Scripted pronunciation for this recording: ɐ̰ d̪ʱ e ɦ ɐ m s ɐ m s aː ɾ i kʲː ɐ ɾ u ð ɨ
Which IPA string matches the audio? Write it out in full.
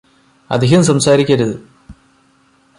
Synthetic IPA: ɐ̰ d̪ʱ i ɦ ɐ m s ɐ m s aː ɾ i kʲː ɐ ɾ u ð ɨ